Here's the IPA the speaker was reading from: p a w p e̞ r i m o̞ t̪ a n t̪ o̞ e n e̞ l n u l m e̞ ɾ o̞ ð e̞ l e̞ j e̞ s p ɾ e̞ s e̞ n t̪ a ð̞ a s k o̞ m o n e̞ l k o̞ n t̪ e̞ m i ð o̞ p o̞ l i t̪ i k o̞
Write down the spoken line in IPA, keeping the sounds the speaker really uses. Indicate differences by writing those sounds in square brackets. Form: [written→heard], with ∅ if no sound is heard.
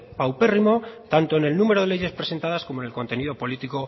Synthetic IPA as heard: p a w p e̞ r i m o̞ t̪ a n t̪ o̞ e n e̞ l n u [l→∅] m e̞ ɾ o̞ ð e̞ l e̞ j e̞ s p ɾ e̞ s e̞ n t̪ a ð̞ a s k o̞ m o n e̞ l k o̞ n t̪ e̞ [m→n] i ð o̞ p o̞ l i t̪ i k o̞